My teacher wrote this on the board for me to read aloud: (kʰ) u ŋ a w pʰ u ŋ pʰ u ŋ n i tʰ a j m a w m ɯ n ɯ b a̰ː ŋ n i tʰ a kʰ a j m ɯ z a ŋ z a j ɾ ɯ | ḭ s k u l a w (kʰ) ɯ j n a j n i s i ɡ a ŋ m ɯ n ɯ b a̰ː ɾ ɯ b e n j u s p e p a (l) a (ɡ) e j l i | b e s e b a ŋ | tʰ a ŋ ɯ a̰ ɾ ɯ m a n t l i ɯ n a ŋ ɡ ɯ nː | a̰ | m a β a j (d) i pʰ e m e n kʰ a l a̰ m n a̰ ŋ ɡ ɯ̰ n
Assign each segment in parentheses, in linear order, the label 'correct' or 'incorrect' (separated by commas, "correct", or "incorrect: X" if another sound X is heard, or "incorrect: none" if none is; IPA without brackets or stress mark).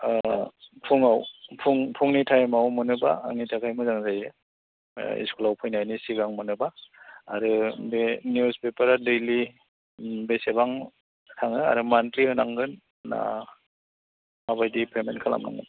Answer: incorrect: pʰ, incorrect: pʰ, incorrect: ɾ, incorrect: d, correct